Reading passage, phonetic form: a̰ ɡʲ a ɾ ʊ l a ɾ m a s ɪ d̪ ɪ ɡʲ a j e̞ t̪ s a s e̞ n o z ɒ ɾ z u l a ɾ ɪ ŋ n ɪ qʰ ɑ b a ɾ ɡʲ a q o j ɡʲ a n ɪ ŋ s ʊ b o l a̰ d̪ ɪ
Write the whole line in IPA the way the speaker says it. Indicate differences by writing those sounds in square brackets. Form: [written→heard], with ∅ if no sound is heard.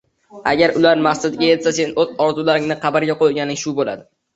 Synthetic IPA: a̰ ɡʲ a ɾ ʊ l a ɾ m a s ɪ d̪ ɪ ɡʲ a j e̞ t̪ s a s e̞ n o z ɒ ɾ z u l a ɾ ɪ ŋ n ɪ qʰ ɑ b a ɾ ɡʲ a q o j ɡʲ a n ɪ ŋ [s→ʃ] ʊ b o l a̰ d̪ ɪ